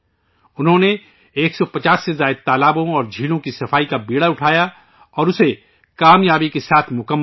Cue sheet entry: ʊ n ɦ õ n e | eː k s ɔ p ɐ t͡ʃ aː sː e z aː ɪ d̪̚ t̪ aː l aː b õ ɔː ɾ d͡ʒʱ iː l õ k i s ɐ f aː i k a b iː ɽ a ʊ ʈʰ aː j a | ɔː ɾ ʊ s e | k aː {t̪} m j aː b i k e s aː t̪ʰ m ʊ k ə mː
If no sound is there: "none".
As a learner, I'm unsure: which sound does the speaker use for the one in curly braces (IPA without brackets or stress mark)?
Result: none